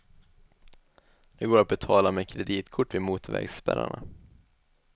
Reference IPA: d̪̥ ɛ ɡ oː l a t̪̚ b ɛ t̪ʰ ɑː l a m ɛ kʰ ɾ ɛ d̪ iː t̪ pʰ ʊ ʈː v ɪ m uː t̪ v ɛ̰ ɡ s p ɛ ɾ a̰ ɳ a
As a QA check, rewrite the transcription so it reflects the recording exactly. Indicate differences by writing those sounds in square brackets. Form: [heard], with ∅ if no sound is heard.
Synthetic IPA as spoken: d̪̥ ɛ ɡ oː [ɾ] a t̪̚ b ɛ t̪ʰ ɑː l a m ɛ kʰ ɾ ɛ d̪ iː t̪ [kʰ] ʊ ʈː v ɪ m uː t̪ v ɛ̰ ɡ s p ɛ ɾ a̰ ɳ a